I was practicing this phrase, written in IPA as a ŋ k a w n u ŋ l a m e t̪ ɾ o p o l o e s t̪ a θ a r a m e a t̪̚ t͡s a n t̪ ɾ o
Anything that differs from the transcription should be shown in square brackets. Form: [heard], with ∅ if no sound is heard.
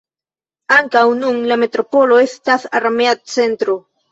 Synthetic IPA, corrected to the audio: a ŋ k a w n u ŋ l a m e t̪ ɾ o p o l o e s t̪ a θ a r a m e a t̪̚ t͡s [e] n t̪ ɾ o